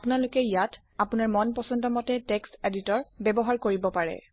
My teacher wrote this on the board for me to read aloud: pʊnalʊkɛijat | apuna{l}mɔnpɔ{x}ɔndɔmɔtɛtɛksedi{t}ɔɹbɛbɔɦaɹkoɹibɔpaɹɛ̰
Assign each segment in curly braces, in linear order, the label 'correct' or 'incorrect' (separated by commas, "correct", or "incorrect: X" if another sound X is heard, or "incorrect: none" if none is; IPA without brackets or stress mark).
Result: incorrect: ɹ, incorrect: s, correct